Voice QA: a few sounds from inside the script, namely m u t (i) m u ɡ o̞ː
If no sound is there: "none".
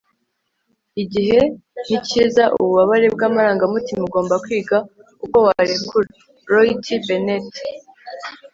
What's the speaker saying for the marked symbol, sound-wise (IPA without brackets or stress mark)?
i